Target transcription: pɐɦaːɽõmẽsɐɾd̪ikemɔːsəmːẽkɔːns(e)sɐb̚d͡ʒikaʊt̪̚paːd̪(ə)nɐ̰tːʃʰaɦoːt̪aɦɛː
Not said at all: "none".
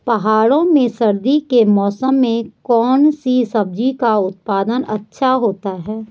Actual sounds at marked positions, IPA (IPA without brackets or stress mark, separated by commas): i, ə